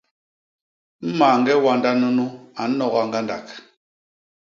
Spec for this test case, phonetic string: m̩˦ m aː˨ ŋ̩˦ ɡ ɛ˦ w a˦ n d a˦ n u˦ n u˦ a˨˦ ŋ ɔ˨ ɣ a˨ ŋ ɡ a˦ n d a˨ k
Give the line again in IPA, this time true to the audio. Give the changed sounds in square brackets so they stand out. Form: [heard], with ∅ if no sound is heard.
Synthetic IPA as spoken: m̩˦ m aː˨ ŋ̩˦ ɡ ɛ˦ w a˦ n d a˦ n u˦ n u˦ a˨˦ [n] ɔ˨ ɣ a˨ ŋ ɡ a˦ n d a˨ k

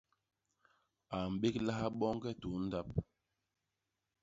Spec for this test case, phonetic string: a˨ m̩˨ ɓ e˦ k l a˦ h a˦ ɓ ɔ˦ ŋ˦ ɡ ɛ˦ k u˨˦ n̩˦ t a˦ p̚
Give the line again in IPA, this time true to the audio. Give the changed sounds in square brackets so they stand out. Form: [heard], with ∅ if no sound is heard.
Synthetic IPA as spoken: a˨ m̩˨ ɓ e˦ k l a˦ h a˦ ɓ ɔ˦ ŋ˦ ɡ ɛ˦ [t] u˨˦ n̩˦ [d] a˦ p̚

